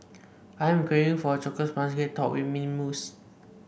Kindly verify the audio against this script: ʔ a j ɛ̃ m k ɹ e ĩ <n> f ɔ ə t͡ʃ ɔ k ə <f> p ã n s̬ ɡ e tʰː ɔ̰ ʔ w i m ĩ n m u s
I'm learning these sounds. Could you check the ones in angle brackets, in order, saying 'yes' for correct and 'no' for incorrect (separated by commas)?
no, no